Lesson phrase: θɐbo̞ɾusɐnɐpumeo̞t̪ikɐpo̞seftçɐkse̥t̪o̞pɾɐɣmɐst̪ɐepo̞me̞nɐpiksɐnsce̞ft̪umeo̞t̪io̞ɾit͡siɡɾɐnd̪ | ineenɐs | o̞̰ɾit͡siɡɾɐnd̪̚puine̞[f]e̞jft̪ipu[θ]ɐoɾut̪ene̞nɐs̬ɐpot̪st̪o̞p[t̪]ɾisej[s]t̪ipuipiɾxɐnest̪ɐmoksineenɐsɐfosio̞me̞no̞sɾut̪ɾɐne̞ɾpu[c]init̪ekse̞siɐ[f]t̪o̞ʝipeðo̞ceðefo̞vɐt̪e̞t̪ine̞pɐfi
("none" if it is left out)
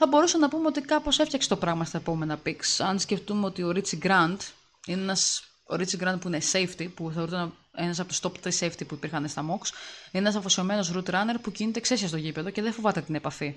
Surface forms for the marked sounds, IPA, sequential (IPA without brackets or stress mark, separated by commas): s, θ, t̪, f, c, s